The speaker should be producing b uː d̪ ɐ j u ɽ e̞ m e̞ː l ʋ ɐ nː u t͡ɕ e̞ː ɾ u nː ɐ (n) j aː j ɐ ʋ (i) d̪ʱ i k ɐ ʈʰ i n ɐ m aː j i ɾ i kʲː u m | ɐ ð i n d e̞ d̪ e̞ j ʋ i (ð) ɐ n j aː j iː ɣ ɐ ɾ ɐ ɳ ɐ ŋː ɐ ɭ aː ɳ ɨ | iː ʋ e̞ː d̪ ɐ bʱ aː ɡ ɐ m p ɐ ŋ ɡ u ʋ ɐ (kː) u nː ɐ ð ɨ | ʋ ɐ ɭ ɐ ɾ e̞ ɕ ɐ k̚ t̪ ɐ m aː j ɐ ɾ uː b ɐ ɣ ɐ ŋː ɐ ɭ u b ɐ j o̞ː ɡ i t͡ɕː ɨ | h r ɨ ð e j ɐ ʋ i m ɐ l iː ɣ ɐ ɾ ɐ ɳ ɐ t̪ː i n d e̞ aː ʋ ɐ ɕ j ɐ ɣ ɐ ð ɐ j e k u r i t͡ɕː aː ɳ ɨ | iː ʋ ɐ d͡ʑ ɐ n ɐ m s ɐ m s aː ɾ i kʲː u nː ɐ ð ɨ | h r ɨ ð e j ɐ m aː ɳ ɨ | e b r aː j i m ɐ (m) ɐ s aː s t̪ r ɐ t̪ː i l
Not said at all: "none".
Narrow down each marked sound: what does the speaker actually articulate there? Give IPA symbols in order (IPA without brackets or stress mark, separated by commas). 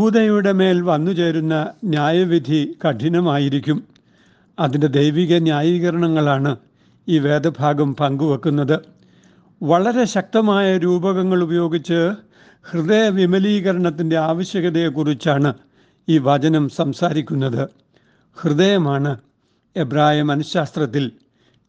n, i, ɣ, kː, n